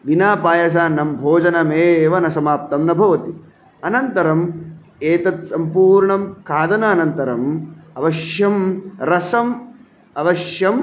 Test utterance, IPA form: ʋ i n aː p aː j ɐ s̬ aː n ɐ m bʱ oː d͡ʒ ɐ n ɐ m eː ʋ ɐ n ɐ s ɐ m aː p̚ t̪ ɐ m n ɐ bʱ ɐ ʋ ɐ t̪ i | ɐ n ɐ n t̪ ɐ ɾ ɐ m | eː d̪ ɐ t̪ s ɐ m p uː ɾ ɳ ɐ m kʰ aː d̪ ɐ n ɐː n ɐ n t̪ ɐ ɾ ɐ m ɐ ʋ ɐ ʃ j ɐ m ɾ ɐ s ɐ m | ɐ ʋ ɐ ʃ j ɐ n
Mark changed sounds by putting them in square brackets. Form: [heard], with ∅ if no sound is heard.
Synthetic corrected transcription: ʋ i n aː p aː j ɐ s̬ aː n ɐ m bʱ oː d͡ʒ ɐ n ɐ m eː ʋ ɐ n ɐ s ɐ m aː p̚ t̪ ɐ m n ɐ bʱ ɐ ʋ ɐ t̪ i | ɐ n ɐ n t̪ ɐ ɾ ɐ m | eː [t̪] ɐ t̪ s ɐ m p uː ɾ ɳ ɐ m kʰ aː d̪ ɐ n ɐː n ɐ n t̪ ɐ ɾ ɐ m ɐ ʋ ɐ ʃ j ɐ m ɾ ɐ s ɐ m | ɐ ʋ ɐ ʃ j ɐ [m]